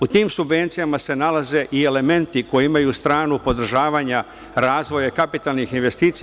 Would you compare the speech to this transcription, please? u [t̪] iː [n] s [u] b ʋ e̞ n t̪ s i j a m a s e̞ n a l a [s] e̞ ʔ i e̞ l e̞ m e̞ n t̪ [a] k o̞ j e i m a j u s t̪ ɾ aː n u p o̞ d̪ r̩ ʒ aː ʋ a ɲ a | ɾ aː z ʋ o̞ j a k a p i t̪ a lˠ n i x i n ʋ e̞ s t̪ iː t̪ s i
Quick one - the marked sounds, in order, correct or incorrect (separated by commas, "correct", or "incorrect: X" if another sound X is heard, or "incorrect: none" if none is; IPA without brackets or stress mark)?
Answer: correct, incorrect: m, correct, incorrect: z, incorrect: i